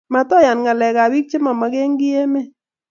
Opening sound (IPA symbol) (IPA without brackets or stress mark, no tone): m